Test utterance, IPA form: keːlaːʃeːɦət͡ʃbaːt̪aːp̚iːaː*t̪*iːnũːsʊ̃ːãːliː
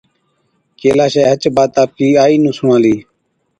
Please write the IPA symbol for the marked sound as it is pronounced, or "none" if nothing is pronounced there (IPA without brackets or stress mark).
none